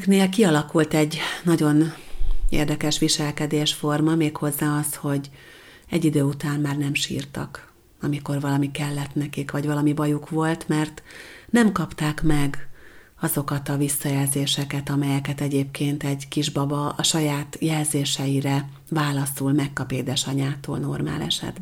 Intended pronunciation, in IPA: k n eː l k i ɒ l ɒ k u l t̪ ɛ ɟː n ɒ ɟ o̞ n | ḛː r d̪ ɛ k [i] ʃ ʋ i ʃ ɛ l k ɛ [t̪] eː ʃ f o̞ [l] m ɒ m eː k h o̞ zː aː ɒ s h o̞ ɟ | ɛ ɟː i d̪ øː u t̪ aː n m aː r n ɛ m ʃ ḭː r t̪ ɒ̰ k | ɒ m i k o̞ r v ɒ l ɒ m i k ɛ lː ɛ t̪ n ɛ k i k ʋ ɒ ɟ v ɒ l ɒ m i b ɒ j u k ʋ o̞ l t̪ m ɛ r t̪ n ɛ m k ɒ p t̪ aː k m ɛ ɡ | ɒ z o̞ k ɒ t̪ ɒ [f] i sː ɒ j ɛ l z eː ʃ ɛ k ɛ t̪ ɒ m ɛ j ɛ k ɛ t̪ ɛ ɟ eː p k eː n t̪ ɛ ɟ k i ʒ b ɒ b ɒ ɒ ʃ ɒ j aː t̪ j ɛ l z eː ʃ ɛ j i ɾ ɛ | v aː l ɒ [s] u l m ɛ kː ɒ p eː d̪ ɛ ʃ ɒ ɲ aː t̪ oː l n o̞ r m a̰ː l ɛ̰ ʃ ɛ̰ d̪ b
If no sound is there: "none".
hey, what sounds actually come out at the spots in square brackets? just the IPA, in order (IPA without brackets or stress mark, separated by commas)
ɛ, d̪, r, v, s